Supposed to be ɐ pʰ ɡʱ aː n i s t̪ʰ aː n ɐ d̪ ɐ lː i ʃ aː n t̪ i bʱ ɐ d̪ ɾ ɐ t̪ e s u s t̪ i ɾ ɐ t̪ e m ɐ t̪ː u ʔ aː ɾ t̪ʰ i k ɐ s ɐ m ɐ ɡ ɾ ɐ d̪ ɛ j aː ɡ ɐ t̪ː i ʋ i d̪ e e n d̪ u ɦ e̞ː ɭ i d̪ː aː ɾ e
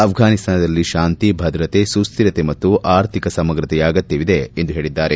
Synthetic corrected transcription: ɐ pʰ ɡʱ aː n i s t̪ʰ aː n ɐ d̪ ɐ lː i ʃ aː n t̪ i bʱ ɐ d̪ ɾ ɐ t̪ e s u s t̪ i ɾ ɐ t̪ e m ɐ t̪ː u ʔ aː ɾ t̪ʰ i k ɐ s ɐ m ɐ ɡ ɾ ɐ t̪ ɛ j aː ɡ ɐ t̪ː i ʋ i d̪ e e n d̪ u ɦ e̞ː ɭ i d̪ː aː ɾ e